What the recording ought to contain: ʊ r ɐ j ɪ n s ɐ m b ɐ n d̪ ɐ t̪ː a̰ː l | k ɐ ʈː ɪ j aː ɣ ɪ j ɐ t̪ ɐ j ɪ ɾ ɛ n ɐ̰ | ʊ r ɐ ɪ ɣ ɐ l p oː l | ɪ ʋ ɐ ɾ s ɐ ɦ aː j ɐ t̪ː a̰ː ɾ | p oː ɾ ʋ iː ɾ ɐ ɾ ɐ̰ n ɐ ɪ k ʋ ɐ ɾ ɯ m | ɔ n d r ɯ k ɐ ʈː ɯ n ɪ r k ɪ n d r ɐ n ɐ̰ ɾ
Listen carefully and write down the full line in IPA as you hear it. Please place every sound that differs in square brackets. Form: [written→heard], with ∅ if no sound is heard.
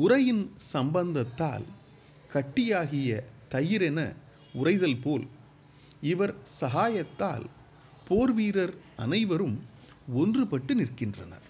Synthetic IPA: ʊ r ɐ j ɪ n s ɐ m b ɐ n d̪ ɐ t̪ː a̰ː l | k ɐ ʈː ɪ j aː ɣ ɪ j ɐ t̪ ɐ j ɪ ɾ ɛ n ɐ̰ | ʊ r ɐ ɪ [ɣ→ð] ɐ l p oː l | ɪ ʋ ɐ ɾ s ɐ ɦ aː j ɐ t̪ː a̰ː [ɾ→l] | p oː ɾ ʋ iː ɾ ɐ ɾ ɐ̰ n ɐ ɪ [k→∅] ʋ ɐ ɾ ɯ m | ɔ n d r ɯ [k→p] ɐ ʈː ɯ n ɪ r k ɪ n d r ɐ n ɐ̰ ɾ